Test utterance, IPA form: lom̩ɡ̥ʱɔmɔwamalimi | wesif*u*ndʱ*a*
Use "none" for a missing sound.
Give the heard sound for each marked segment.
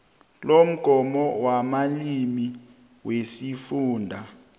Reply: uː, a

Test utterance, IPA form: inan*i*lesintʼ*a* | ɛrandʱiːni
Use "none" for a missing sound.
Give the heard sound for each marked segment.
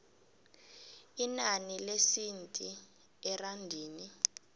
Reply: i, i

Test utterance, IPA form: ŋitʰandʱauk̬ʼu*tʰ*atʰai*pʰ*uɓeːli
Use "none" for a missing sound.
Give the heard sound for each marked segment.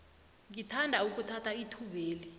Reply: tʰ, tʰ

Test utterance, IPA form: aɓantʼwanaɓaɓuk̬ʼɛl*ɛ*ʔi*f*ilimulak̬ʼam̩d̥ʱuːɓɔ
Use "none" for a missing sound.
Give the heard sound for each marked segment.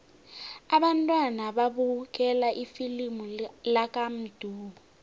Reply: a, f

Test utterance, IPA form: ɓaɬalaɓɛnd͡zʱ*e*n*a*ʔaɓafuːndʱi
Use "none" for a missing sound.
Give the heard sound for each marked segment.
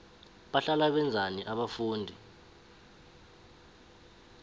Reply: a, i

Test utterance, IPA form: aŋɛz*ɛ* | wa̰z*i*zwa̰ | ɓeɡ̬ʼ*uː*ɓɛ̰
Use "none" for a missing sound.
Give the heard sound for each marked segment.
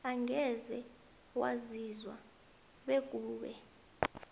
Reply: ɛ, i, uː

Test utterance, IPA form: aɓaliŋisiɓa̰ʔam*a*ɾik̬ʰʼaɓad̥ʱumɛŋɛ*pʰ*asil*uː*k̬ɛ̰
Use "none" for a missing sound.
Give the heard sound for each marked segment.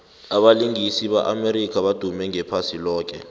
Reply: e, pʰ, ɔː

